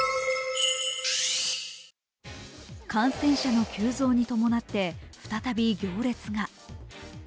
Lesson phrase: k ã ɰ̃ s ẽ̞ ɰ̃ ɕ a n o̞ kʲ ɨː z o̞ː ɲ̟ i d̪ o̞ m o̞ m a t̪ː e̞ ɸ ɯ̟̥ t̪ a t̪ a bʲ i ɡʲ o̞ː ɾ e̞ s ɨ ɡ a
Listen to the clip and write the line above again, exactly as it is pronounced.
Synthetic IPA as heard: k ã ɰ̃ s ẽ̞ ɰ̃ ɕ a n o̞ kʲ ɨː z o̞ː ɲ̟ i t̪ o̞ m o̞ n a t̪ː e̞ ɸ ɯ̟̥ t̪ a t̪ a bʲ i ɡʲ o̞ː ɾ e̞ t͡s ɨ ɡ a

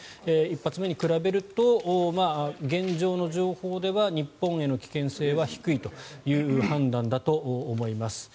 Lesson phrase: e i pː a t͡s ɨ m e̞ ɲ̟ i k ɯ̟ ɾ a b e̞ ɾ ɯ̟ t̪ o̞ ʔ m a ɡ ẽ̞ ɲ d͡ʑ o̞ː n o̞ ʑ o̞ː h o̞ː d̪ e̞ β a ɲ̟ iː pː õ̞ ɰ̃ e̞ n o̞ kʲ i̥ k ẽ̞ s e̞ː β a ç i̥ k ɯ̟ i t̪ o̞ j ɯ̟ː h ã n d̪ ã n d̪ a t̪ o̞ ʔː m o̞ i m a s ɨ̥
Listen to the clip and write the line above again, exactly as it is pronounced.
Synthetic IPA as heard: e i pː a t͡s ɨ m e̞ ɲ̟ i k ɯ̟ ɾ a b e̞ ɾ ɯ̟ t̪ o̞ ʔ m a ɡ ẽ̞ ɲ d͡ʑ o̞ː n o̞ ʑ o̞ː h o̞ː d̪ e̞ β a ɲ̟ i pː õ̞ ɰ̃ e̞ n o̞ kʲ i̥ k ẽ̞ s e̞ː β a ç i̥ k ɯ̟ i t̪ o̞ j ɯ̟ː h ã n d̪ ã n d̪ a t̪ o̞ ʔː m o̞ i m a s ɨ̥

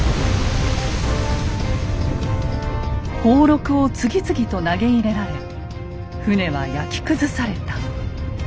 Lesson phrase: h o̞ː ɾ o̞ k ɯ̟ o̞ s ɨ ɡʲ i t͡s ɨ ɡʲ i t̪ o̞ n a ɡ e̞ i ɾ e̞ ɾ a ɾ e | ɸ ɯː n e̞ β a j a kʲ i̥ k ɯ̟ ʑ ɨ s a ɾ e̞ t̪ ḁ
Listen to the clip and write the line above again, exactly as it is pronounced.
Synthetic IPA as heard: h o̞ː ɾ o̞ k ɯ̟ o̞ t͡s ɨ ɡʲ i t͡s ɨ ɡʲ i t̪ o̞ n a ɡ e̞ i ɾ e̞ ɾ a ɾ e | ɸ ɯ n e̞ β a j a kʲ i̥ k ɯ̟ z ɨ s a ɾ e̞ t̪ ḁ

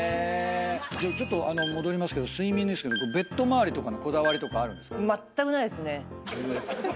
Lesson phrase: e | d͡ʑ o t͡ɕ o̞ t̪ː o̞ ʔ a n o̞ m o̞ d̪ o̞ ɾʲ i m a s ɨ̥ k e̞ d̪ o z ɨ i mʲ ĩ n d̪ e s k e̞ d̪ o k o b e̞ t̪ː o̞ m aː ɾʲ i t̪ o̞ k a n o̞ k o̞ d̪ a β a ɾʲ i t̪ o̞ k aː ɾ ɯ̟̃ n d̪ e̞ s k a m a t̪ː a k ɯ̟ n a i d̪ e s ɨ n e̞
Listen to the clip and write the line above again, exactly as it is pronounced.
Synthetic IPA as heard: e | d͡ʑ o t͡ɕ o̞ t̪ː o̞ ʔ a n o̞ m o̞ d̪ o̞ ɾʲ i m a s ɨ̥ k e̞ d̪ o s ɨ i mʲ ĩ n d̪ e s k e̞ d̪ o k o b e̞ t̪ː o̞ m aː ɾʲ i t̪ o̞ k a n o̞ k o̞ d̪ a β a ɾʲ i t̪ o̞ k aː ɾ ɯ̟̃ n d̪ e̞ s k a m a t̪ː a k ɯ̟ n a i d̪ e s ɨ n e̞

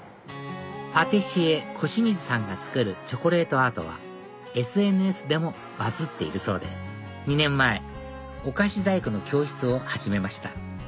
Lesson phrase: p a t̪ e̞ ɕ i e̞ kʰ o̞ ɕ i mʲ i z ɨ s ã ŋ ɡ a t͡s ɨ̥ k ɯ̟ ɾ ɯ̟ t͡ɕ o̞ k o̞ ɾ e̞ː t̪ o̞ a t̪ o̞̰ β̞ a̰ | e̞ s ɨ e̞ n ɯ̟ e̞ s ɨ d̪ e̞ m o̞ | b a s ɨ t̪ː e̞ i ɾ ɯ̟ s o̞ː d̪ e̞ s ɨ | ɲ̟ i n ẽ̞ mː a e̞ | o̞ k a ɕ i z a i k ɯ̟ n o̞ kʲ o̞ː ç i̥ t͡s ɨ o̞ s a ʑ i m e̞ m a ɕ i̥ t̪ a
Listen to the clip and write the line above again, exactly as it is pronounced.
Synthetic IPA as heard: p a t̪ e̞ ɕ i e̞ kʰ o̞ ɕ i mʲ i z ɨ s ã ŋ ɡ a t͡s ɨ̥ k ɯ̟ ɾ ɯ̟ t͡ɕ o̞ k o̞ ɾ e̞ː t̪ o̞ a t̪ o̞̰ β̞ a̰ | e̞ s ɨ e̞ n ɯ̟ e̞ s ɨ d̪ e̞ m o̞ | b a z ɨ t̪ː e̞ i ɾ ɯ̟ s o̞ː d̪ e̞ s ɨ | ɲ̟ i n ẽ̞ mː a e̞ | o̞ k a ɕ i z a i k ɯ̟ n o̞ kʲ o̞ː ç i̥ t͡s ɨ o̞ h a ʑ i m e̞ m a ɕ i̥ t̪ a

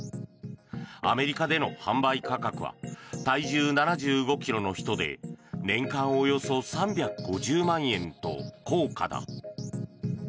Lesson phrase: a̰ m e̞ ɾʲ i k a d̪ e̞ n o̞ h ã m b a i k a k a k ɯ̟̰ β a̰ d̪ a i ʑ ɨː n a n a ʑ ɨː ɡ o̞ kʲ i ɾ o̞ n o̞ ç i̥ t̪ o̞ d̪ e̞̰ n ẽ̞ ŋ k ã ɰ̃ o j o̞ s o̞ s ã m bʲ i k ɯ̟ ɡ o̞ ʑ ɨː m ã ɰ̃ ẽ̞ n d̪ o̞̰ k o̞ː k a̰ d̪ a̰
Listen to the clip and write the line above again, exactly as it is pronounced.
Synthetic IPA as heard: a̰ m e̞ ɾʲ i k a d̪ e̞ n o̞ h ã m b a i k a k a k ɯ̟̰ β a̰ t̪ a i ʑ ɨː n a n a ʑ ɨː ɡ o̞ kʲ i ɾ o̞ n o̞ ç i̥ t̪ o̞ d̪ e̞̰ n ẽ̞ ŋ k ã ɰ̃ o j o̞ s o̞ s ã m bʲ a k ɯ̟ ɡ o̞ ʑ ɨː m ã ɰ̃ ẽ̞ n t̪ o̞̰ k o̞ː k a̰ d̪ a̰

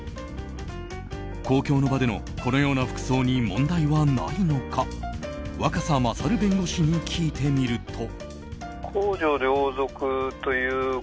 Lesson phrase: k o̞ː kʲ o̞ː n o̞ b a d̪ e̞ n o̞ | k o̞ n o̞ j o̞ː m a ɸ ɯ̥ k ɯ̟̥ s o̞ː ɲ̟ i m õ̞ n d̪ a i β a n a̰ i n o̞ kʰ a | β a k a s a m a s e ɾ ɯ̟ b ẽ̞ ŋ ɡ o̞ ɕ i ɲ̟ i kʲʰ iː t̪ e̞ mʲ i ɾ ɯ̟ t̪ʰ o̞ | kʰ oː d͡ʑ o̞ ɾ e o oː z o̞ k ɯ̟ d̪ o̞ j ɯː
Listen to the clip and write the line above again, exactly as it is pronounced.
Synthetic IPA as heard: k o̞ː kʲ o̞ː n o̞ b a d̪ e̞ n o̞ | k o̞ n o̞ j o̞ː n a ɸ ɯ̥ k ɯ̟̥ s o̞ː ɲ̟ i m õ̞ n d̪ a i β a n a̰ i n o̞ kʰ a | β a k a s a m a s a ɾ ɯ̟ b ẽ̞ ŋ ɡ o̞ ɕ i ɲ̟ i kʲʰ iː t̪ e̞ mʲ i ɾ ɯ̟ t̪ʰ o̞ | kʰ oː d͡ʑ o̞ ɾ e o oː z o̞ k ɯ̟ t̪ o̞ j ɯː

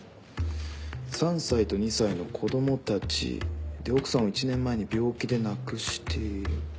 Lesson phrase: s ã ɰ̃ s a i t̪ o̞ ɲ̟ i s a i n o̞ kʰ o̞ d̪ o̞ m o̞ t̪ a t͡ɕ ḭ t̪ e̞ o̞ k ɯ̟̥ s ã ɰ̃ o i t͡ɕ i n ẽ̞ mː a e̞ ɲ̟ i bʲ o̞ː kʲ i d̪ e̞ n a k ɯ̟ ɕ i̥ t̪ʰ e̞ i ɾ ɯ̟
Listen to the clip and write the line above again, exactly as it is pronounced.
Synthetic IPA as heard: s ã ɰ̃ s a i t̪ o̞ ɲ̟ i s a i n o̞ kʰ o̞ d̪ o̞ m o̞ t̪ a t͡ɕ ḭ d̪ e̞ o̞ k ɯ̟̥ s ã ɰ̃ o i t͡ɕ i n ẽ̞ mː a e̞ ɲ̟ i bʲ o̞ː kʲ i d̪ e̞ n a k ɯ̟ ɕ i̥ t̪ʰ e̞ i ɾ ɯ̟

